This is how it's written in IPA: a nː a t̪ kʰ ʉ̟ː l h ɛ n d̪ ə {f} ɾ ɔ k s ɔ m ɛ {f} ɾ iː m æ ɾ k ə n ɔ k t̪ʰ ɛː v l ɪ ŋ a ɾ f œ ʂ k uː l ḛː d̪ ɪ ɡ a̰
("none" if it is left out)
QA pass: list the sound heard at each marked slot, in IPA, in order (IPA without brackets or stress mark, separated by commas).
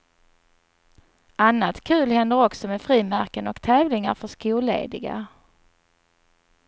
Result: none, f